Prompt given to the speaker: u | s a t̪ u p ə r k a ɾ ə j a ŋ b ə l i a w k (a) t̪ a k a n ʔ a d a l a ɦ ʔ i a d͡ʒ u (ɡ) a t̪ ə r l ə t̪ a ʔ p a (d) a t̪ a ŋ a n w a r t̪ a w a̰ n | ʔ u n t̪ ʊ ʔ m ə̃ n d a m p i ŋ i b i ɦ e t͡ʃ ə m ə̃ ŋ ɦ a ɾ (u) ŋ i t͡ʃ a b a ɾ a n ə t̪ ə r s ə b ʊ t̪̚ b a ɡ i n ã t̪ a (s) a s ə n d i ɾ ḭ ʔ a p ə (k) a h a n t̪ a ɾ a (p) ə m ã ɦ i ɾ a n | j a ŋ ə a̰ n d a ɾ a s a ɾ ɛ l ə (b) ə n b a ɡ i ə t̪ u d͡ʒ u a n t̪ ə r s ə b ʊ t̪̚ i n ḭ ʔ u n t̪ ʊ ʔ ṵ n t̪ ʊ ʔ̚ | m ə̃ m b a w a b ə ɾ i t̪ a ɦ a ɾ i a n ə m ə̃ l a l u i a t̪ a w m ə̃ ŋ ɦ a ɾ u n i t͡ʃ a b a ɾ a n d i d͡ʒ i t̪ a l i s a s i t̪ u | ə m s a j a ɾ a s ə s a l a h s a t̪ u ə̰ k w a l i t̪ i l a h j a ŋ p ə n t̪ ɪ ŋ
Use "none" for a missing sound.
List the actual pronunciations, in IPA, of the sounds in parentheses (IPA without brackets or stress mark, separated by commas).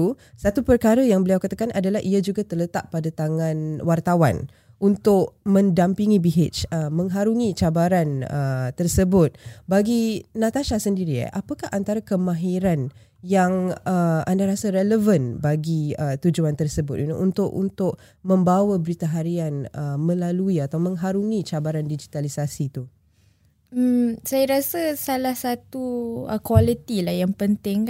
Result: a, ɡ, d, u, ʃ, k, k, v